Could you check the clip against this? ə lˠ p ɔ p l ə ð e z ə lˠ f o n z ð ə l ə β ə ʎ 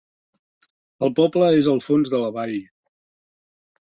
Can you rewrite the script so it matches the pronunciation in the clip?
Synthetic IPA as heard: ə lˠ p ɔ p l ə e z ə lˠ f o n z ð ə l ə β a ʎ